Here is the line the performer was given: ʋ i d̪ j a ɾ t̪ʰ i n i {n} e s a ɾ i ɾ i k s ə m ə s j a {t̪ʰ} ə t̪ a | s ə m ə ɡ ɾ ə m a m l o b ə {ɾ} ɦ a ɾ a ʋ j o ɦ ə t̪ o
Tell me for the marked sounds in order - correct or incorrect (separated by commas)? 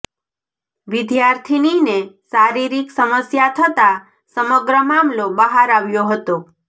correct, correct, incorrect